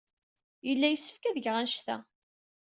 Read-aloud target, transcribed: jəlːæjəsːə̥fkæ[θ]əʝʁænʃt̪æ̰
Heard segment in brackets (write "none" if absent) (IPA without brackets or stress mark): ð